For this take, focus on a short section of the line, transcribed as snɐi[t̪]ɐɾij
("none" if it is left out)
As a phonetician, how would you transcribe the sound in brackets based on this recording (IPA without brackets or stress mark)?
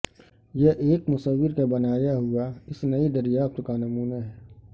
d̪